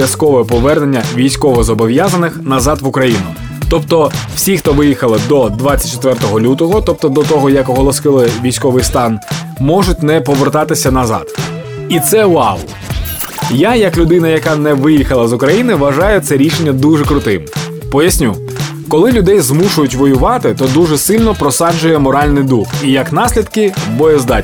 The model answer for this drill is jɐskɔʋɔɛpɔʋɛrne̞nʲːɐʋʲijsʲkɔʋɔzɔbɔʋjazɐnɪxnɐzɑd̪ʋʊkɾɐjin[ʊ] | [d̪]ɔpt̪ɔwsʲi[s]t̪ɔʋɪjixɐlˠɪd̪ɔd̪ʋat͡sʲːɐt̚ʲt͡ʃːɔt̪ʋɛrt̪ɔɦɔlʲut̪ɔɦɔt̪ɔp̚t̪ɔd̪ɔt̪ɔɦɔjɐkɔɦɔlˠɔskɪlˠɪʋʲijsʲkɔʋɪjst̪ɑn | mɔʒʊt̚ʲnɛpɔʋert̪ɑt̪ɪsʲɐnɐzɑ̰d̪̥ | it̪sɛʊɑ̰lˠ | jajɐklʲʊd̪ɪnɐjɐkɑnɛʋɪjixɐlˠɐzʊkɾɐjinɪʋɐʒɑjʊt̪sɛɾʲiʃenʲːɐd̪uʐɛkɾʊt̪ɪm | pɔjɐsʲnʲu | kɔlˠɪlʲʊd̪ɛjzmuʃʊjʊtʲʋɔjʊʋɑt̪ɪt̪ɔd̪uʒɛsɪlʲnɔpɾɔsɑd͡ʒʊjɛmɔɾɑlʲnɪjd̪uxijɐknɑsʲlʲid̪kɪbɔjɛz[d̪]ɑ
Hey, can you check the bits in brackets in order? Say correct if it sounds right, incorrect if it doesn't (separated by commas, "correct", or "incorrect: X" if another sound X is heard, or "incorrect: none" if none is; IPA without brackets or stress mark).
correct, incorrect: t̪, incorrect: x, correct